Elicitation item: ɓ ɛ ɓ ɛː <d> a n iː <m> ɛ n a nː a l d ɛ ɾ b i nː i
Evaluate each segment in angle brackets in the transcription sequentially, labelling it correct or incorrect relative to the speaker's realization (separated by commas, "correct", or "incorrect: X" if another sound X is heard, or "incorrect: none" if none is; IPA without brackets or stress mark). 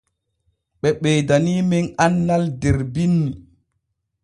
correct, correct